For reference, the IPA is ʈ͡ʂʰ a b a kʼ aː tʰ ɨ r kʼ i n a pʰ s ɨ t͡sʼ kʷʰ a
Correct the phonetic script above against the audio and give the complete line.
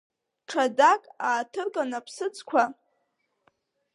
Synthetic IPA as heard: ʈ͡ʂʰ a d a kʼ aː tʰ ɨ r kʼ a n a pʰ s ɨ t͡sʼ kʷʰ a